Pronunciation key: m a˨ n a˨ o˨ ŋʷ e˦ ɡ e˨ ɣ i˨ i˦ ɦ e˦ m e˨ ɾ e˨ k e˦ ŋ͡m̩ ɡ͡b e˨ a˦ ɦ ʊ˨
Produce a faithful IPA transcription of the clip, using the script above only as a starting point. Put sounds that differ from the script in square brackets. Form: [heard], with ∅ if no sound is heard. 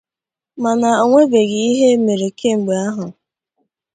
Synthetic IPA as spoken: m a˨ n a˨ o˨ ŋʷ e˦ [b] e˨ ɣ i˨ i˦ ɦ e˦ m e˨ ɾ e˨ k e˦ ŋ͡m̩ ɡ͡b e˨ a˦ ɦ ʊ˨